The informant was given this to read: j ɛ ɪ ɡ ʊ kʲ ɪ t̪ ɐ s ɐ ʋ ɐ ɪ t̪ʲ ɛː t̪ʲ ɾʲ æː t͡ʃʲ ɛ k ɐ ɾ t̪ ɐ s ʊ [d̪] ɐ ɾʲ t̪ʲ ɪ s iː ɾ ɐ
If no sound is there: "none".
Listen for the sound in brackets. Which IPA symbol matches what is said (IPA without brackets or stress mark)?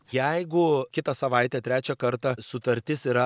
t̪